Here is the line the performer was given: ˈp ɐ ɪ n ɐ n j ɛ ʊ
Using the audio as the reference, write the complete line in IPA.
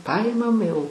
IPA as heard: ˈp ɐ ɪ m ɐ m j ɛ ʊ